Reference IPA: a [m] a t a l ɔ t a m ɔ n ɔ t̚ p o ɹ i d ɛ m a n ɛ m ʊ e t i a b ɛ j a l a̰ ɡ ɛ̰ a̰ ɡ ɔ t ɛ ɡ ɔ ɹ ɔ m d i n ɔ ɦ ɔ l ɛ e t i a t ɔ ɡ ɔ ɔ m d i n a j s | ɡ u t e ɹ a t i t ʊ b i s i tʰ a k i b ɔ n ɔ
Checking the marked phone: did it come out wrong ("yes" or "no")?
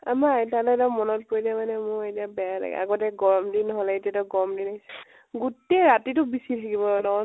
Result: no